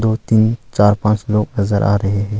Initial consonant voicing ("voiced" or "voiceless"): voiced